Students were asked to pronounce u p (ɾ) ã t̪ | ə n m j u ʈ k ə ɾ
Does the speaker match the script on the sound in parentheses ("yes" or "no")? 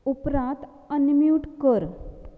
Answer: yes